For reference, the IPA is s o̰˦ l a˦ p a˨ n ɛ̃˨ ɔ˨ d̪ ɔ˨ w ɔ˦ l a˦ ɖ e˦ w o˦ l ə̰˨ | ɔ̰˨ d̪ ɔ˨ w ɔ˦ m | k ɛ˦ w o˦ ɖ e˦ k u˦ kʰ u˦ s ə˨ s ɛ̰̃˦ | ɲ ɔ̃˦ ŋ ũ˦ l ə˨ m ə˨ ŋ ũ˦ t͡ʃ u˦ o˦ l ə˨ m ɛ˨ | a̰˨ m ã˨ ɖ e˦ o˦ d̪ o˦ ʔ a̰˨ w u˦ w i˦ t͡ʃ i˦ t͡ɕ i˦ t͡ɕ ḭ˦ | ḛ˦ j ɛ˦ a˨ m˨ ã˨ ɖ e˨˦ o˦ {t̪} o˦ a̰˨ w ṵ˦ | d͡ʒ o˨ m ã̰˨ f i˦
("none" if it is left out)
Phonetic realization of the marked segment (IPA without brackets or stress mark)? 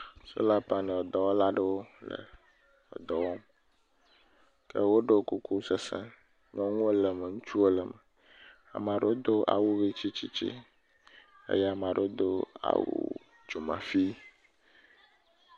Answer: d̪